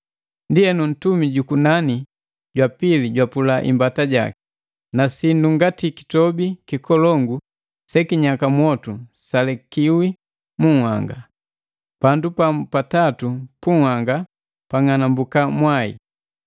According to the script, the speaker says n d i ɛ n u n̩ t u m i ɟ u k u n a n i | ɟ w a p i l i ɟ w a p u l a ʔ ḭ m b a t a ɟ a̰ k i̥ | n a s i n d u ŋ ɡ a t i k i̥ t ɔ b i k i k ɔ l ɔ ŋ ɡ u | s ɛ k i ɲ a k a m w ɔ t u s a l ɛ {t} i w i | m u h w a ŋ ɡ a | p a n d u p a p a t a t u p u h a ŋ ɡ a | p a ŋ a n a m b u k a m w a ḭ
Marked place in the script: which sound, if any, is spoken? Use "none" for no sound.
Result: k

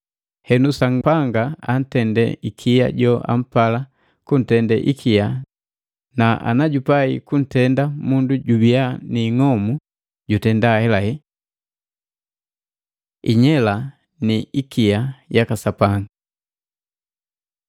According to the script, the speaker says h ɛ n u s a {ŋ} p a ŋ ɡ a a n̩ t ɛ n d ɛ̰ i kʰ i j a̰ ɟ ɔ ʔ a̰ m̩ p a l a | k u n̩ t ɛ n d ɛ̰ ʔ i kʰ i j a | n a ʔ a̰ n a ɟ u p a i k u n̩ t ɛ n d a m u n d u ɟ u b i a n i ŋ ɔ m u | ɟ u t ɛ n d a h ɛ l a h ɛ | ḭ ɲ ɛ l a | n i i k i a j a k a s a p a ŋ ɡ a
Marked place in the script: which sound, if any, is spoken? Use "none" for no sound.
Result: ŋ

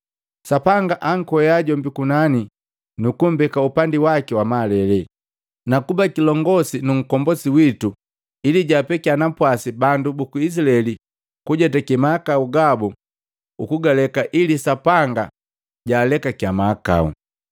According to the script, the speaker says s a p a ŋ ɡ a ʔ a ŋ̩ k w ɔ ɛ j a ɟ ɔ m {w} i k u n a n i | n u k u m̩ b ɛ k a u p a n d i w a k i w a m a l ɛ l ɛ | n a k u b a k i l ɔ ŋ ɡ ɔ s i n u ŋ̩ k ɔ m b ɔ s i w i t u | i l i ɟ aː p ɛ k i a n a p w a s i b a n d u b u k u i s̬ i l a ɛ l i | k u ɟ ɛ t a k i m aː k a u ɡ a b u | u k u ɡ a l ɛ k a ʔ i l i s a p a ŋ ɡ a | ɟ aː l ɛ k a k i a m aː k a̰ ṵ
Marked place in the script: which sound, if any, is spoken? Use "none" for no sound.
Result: b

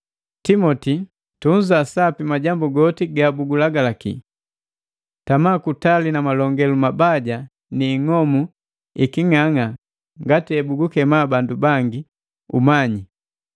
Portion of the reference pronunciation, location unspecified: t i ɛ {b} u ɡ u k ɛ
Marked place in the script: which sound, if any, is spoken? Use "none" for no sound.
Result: b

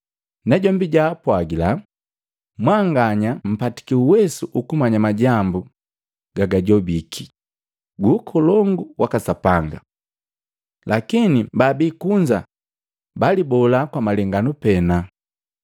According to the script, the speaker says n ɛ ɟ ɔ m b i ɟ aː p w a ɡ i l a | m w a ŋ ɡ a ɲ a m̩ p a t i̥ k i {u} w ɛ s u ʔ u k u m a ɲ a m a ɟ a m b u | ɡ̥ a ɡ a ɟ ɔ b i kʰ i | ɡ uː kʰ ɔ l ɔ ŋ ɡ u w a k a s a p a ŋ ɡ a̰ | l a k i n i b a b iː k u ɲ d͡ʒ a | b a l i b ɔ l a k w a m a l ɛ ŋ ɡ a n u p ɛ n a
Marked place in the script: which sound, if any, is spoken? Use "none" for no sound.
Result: u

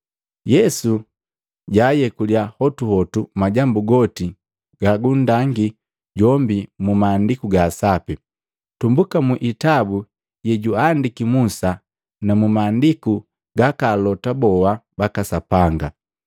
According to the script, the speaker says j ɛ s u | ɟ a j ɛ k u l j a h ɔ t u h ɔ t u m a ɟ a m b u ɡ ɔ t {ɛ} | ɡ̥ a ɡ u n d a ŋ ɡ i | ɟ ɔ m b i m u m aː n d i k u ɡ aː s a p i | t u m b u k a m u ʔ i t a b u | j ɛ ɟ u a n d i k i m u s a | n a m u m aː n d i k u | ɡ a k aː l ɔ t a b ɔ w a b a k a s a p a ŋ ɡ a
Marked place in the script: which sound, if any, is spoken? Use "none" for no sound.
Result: i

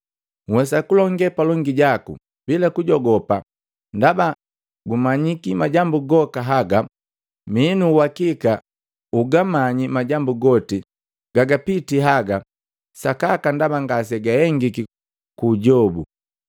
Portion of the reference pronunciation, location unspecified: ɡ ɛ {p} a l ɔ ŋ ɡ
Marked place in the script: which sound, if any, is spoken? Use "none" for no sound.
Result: p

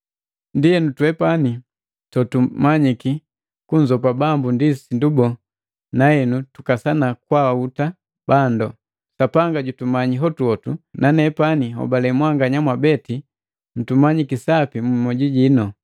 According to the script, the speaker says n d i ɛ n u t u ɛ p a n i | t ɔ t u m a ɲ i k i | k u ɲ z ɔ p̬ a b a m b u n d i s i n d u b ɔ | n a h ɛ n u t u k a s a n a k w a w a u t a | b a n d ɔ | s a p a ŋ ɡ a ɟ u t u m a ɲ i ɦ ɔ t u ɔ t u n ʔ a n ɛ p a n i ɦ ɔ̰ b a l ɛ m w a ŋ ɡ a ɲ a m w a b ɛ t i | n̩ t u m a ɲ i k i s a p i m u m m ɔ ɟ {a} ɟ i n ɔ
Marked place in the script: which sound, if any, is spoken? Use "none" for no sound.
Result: i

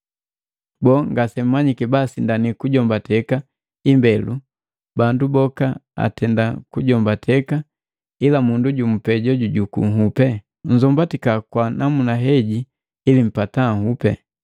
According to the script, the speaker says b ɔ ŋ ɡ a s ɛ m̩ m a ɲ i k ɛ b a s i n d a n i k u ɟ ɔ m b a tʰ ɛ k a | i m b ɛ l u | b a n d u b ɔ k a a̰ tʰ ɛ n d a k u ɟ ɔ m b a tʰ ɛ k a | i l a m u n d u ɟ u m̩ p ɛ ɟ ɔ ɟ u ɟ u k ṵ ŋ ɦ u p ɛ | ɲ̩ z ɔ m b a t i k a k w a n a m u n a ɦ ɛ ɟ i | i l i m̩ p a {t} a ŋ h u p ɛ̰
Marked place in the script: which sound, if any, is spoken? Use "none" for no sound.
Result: t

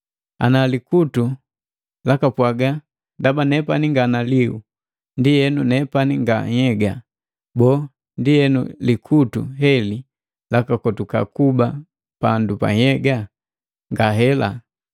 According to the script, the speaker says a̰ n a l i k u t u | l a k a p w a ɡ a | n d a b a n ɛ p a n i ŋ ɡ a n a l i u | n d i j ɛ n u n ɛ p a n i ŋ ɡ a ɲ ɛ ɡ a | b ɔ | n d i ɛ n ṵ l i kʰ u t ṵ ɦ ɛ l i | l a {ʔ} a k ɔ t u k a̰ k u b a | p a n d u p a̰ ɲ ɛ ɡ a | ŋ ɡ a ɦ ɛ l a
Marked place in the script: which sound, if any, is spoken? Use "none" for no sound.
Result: k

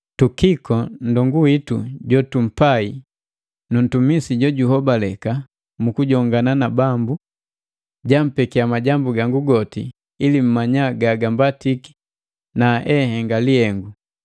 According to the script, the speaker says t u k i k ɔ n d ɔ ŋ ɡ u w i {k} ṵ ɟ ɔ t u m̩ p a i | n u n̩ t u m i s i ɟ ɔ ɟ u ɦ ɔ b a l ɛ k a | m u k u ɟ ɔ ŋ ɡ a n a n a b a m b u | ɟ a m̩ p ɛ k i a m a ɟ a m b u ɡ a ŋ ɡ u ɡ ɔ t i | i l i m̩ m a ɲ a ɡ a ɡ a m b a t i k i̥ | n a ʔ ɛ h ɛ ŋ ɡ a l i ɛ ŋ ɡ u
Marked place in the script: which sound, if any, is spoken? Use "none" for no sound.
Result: t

